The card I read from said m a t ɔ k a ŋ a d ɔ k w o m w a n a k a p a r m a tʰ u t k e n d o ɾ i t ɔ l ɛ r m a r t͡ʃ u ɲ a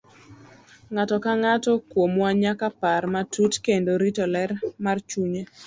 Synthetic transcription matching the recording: ŋ a t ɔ k a ŋ a t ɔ k w o m w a ɲ a k a p a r m a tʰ u t k e n d o ɾ i t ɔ l ɛ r m a r t͡ʃ u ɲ e